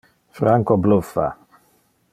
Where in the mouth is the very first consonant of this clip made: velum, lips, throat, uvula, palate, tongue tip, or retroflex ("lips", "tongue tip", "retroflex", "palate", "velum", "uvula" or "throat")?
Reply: lips